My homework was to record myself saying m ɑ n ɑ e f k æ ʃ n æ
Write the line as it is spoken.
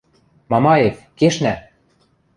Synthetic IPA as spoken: m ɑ m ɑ e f k e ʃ n æ